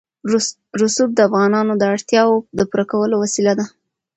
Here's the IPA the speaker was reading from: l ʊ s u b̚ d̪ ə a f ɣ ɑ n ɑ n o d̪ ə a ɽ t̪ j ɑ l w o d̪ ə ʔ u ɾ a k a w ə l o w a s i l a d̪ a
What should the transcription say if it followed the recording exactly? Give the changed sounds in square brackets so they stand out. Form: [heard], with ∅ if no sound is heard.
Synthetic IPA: [ɾ] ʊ s u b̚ d̪ ə a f ɣ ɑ n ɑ n o d̪ ə a ɽ t̪ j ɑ [∅] w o d̪ ə [p] u ɾ a k a w ə l o w a s i l a d̪ a